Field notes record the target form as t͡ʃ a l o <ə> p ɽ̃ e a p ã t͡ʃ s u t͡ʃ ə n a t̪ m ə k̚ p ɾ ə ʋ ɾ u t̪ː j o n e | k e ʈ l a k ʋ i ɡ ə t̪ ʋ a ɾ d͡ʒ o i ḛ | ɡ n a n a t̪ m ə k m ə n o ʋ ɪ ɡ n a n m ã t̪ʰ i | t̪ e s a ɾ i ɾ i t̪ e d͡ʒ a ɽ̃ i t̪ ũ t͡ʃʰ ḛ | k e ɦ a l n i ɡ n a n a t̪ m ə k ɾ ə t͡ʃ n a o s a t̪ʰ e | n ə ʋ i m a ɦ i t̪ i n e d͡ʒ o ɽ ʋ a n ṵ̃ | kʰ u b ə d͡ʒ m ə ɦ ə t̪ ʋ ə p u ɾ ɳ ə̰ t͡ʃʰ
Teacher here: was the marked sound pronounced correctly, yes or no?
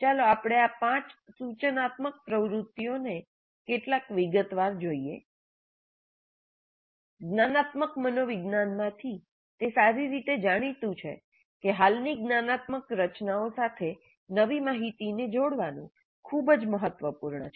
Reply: no